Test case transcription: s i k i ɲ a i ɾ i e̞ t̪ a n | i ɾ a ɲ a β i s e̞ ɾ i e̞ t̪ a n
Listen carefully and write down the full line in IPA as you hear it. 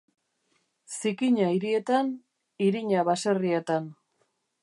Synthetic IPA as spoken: s i k i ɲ a i ɾ i e̞ t̪ a n | i ɾ i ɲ a β a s e̞ r i e̞ t̪ a n